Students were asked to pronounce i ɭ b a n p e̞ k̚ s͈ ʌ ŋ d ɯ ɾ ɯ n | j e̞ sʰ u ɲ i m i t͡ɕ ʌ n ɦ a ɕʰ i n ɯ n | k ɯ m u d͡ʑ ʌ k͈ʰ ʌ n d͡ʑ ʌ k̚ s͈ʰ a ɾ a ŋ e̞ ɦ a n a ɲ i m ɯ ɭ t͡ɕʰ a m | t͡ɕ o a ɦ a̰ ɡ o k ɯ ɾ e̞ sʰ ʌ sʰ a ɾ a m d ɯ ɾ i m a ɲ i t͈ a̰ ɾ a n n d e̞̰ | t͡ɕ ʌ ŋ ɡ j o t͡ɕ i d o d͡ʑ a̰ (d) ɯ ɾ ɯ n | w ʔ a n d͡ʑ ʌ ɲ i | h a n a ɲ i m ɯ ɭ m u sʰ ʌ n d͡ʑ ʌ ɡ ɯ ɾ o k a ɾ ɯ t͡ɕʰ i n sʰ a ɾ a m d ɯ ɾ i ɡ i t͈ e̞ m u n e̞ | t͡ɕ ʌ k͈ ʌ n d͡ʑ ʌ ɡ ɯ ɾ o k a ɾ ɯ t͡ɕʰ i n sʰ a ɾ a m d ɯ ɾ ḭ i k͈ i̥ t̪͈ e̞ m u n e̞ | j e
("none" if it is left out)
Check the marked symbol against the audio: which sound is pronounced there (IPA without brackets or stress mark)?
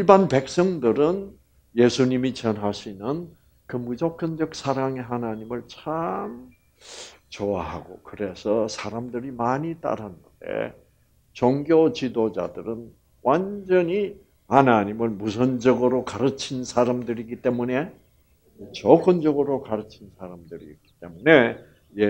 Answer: d